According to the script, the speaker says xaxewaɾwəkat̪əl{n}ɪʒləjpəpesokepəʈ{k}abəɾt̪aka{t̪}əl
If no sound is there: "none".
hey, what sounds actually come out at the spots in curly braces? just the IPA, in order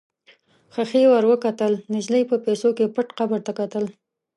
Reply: n, q, t̪

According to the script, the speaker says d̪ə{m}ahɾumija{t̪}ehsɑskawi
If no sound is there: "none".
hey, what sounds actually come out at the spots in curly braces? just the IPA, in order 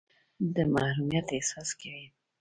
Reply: m, t̪

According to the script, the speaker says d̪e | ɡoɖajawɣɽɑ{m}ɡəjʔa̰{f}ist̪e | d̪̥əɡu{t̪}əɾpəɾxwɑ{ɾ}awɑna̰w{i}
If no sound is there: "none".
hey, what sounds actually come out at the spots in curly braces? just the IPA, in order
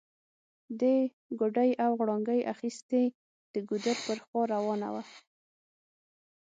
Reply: ŋ, x, d̪, ɾ, a

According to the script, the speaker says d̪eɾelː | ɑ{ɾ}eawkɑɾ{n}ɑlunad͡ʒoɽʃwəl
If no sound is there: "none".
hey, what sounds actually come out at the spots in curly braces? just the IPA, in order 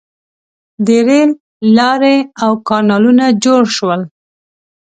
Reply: ɾ, n

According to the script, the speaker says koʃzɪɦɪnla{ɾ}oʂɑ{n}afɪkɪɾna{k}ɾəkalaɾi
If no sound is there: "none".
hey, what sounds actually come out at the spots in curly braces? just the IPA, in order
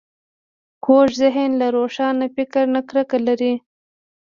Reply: ɾ, n, k

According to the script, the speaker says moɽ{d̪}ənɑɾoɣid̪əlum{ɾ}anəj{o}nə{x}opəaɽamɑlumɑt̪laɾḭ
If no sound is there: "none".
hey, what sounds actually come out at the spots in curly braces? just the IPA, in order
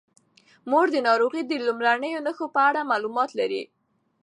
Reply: d̪, ɾ, o, x

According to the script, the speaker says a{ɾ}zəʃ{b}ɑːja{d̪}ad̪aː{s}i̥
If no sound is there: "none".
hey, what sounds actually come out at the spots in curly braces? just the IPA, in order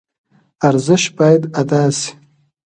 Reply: ɾ, b, d̪, s

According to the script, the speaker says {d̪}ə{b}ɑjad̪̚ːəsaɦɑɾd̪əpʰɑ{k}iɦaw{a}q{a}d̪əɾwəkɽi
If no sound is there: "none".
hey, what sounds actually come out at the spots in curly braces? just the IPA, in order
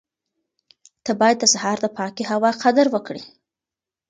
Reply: t̪, b, k, ɑ, a

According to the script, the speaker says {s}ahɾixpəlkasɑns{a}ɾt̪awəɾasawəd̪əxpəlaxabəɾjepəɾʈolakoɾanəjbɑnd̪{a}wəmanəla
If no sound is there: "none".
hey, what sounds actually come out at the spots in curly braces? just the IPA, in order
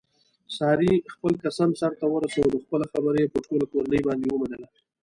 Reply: s, a, e

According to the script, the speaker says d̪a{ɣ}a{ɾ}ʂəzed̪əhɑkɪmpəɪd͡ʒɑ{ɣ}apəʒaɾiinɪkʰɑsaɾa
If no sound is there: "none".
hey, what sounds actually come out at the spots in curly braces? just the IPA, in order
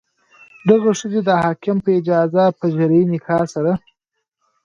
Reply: ɣ, none, z

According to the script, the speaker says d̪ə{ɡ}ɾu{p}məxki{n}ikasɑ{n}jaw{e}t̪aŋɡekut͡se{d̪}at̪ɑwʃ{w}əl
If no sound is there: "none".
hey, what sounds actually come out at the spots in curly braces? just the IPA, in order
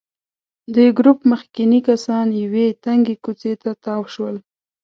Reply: ɡ, p, n, n, e, t̪, w

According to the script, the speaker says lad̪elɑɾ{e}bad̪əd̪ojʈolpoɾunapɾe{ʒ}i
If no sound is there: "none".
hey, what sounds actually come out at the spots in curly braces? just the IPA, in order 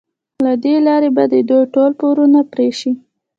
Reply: e, ʃ

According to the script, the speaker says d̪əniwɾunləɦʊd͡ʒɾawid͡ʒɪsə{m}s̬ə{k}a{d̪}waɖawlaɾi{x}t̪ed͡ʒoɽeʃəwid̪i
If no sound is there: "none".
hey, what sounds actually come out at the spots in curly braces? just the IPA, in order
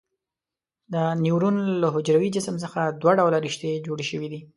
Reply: m, x, d̪, ʃ

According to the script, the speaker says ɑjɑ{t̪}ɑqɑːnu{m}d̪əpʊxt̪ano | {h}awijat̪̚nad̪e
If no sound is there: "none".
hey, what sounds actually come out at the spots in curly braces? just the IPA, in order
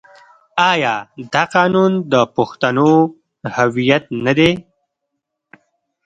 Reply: d̪, n, h

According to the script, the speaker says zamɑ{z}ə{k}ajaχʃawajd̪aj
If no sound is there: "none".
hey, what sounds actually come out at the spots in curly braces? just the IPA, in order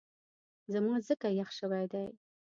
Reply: z, k

